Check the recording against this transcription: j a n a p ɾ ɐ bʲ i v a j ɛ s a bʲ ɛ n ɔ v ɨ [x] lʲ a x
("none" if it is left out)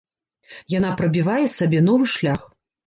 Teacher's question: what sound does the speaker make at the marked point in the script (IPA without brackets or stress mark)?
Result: ʂ